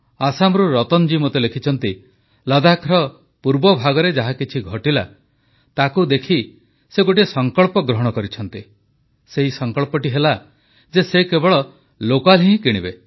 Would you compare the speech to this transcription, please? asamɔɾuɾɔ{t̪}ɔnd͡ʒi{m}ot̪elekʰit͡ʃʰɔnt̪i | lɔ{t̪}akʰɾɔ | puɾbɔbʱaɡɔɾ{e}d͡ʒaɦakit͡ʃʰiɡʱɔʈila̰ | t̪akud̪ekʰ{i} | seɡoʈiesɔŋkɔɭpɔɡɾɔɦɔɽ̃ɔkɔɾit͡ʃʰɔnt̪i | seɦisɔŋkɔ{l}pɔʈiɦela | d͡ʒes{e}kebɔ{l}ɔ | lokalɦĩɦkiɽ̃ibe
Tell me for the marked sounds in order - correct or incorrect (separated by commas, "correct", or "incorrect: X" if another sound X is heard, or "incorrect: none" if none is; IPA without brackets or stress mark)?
correct, correct, incorrect: d̪, correct, correct, incorrect: ɭ, correct, incorrect: ɭ